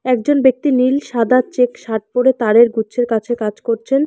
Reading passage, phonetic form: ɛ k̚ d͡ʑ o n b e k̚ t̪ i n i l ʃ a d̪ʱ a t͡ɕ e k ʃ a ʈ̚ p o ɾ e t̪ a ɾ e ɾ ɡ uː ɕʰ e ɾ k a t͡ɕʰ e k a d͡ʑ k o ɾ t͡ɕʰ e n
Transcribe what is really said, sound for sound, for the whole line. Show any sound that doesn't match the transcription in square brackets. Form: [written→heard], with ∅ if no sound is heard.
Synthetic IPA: ɛ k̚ d͡ʑ o n b e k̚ t̪ i n i l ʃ a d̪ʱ a t͡ɕ e k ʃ a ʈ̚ p o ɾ e t̪ a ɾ e ɾ ɡ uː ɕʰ e ɾ k a t͡ɕʰ e k a d͡ʑ k o ɾ t͡ɕʰ e n